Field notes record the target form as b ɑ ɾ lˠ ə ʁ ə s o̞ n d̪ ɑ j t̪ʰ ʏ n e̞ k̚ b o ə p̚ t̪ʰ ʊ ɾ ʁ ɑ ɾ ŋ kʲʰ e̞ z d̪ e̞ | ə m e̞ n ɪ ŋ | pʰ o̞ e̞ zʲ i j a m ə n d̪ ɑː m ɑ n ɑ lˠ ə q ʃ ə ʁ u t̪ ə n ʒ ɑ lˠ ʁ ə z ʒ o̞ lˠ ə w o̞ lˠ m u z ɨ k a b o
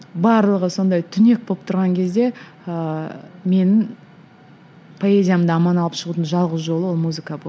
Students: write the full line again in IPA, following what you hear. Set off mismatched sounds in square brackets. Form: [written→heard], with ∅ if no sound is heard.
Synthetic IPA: b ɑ ɾ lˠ ə ʁ ə s o̞ n d̪ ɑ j t̪ʰ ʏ n e̞ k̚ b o ə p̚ t̪ʰ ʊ ɾ ʁ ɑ [ɾ→∅] ŋ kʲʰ e̞ z d̪ e̞ | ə m e̞ n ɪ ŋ | pʰ o̞ e̞ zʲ i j a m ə n d̪ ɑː m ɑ n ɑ lˠ ə [q→p] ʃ ə ʁ u t̪ ə n ʒ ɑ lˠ ʁ ə z ʒ o̞ lˠ ə w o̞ lˠ m u z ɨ k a b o